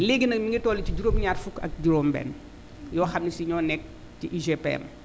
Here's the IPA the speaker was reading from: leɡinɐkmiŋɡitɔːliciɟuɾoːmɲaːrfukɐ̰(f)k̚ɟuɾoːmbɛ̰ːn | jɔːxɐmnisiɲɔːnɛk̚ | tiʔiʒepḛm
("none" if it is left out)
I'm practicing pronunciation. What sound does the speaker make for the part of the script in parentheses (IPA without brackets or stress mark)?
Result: none